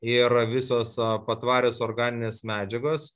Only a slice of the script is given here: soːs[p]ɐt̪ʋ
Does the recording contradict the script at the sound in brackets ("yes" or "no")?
no